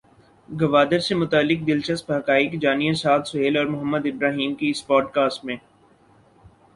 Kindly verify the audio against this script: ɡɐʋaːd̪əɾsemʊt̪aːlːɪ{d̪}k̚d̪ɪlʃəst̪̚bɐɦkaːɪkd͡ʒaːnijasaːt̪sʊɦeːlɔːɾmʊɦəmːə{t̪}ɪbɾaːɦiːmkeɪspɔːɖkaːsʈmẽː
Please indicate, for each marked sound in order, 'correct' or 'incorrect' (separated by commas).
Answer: incorrect, incorrect